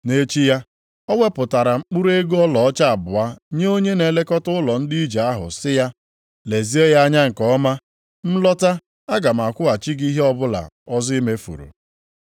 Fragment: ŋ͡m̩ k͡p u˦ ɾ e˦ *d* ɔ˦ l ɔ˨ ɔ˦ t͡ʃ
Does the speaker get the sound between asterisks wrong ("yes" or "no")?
yes